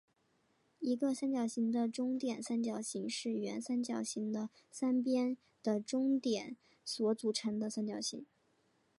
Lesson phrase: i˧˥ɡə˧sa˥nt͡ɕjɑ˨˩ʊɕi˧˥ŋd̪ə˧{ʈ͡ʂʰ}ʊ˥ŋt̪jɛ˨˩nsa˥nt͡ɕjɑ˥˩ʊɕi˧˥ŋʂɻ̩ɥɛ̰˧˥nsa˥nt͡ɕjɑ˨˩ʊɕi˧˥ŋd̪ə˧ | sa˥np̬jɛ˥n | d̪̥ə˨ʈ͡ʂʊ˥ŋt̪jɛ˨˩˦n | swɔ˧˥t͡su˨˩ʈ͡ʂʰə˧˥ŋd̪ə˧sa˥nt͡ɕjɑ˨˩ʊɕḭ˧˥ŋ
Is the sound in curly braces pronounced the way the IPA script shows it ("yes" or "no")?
no